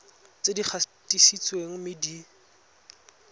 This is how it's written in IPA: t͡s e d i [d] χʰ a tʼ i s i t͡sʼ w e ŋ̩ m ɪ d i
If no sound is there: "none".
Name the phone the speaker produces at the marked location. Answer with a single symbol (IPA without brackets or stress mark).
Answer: none